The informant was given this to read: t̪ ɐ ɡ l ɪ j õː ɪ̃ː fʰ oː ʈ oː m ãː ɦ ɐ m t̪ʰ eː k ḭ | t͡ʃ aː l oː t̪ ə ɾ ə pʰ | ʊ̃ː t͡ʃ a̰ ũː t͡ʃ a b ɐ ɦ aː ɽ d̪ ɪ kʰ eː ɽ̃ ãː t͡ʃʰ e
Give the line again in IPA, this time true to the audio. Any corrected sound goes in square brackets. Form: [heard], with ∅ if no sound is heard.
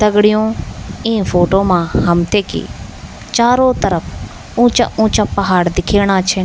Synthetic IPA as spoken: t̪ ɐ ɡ [ɽ] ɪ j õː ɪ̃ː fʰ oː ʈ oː m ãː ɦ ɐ m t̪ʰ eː k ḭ | t͡ʃ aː [ɾ] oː t̪ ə ɾ ə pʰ | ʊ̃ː t͡ʃ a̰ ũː t͡ʃ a [p] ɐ ɦ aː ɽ d̪ ɪ kʰ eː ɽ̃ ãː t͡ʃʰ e